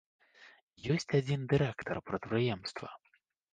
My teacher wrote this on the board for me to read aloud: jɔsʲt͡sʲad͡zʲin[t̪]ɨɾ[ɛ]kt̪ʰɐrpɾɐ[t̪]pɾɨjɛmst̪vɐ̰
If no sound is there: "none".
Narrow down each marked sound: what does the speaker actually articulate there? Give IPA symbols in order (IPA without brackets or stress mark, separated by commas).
d̪, ɛ, t̪